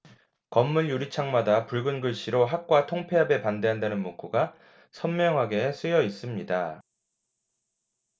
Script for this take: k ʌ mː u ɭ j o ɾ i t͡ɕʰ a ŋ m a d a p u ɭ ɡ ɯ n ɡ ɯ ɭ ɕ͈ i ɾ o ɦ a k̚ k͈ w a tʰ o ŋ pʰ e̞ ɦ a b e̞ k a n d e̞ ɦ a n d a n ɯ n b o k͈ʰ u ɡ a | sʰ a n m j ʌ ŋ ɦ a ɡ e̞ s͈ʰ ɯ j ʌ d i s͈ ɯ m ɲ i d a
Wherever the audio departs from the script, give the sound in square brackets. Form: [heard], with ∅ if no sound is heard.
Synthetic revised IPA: k ʌ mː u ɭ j [u] ɾ i t͡ɕʰ a ŋ m a d a p u ɭ ɡ ɯ n ɡ ɯ ɭ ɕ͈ i ɾ o ɦ a k̚ k͈ w a tʰ o ŋ pʰ e̞ ɦ a b e̞ [p] a n d e̞ ɦ a n d a n ɯ n [m] o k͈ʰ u ɡ a | sʰ [ʌ] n m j ʌ ŋ ɦ a ɡ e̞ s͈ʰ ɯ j ʌ [∅] i s͈ ɯ m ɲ i d a